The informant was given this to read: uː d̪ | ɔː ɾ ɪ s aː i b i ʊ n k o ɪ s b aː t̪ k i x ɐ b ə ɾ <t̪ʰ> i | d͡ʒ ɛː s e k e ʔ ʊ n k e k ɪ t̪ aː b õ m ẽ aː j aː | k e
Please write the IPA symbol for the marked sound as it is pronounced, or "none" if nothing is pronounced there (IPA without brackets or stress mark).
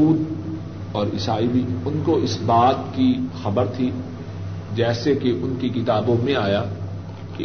t̪ʰ